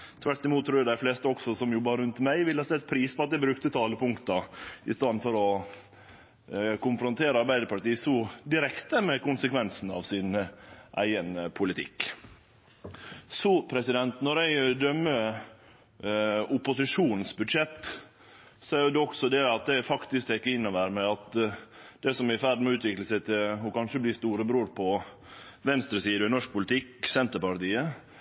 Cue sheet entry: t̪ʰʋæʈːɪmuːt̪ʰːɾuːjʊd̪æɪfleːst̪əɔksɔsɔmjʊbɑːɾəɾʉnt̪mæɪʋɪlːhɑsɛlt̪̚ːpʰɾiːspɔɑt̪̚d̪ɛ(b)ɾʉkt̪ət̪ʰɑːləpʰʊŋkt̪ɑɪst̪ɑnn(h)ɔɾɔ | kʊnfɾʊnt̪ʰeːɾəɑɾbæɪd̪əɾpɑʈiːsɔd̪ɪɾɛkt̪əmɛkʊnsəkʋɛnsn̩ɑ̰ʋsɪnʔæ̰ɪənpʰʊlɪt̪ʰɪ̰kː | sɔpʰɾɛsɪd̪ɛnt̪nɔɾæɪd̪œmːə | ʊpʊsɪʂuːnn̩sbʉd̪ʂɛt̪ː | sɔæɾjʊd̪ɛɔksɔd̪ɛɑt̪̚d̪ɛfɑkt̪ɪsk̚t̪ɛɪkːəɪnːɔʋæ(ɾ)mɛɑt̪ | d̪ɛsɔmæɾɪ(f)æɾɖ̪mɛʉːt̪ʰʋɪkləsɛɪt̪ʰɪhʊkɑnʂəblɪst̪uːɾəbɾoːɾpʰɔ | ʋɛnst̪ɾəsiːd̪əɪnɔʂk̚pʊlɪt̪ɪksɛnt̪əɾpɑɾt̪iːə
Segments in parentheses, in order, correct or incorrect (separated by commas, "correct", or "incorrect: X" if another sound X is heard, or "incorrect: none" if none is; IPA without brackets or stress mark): correct, incorrect: f, correct, correct